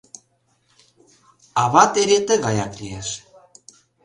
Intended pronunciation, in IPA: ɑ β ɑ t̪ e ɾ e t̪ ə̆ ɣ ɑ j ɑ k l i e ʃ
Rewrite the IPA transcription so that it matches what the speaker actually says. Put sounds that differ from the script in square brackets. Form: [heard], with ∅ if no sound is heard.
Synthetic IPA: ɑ β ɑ t̪ e ɾ e t̪ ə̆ ɣ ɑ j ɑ k l i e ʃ